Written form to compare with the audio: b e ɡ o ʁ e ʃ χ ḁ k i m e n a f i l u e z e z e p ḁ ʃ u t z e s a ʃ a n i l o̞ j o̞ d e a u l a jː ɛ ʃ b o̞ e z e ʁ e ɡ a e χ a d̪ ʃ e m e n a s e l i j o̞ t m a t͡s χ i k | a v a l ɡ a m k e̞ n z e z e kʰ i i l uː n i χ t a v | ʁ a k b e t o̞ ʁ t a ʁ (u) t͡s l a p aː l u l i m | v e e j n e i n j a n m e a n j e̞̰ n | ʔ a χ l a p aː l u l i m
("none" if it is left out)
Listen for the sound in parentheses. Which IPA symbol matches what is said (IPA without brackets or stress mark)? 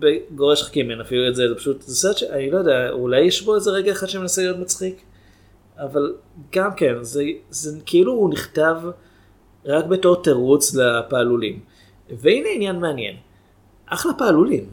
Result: u